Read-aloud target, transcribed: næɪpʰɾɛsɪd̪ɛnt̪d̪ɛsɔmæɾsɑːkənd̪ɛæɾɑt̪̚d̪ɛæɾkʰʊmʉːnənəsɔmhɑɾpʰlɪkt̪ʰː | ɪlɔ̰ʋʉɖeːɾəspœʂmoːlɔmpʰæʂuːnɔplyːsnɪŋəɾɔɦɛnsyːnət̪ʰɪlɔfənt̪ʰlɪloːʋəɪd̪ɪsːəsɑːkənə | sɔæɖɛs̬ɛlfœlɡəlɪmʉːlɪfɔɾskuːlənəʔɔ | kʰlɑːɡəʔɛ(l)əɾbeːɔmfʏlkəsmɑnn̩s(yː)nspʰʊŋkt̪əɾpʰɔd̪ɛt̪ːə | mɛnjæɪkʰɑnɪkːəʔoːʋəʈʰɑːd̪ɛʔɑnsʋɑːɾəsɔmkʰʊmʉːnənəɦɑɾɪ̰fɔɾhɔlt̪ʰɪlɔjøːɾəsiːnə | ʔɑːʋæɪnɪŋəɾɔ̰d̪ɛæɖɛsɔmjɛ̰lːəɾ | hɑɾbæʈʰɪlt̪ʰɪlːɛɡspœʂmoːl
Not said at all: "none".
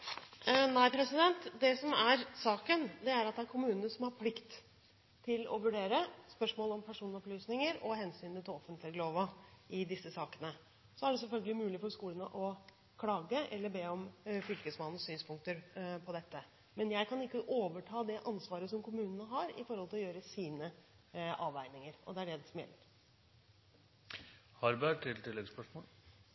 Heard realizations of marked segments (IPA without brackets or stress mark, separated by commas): lː, yː